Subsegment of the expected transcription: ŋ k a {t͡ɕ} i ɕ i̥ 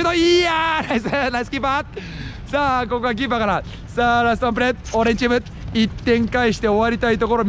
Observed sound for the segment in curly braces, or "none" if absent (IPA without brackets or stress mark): none